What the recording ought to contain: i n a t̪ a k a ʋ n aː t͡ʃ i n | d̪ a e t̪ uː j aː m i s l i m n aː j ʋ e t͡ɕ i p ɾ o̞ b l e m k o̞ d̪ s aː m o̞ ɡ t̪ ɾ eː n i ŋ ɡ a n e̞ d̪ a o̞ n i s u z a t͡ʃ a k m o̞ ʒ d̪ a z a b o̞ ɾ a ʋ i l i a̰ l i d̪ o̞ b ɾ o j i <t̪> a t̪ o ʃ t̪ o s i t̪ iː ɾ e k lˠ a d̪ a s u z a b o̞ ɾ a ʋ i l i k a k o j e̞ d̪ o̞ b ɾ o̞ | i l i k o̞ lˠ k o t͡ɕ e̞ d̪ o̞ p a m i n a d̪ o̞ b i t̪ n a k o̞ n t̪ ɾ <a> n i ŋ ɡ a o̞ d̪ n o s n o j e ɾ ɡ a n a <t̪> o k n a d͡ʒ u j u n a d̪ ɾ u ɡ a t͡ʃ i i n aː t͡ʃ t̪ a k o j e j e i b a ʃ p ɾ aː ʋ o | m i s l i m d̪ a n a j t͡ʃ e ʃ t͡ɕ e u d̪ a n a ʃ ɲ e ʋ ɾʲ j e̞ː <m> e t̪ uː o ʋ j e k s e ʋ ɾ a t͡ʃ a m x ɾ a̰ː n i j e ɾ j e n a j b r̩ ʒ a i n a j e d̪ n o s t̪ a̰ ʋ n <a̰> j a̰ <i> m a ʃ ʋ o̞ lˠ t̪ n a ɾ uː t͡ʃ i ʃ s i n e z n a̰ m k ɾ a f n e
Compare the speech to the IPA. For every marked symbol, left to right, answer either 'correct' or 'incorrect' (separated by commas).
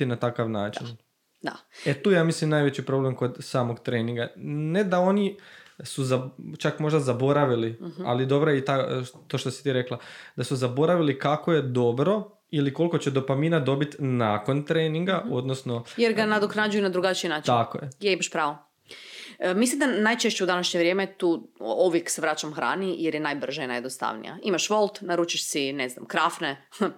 correct, incorrect, incorrect, correct, incorrect, correct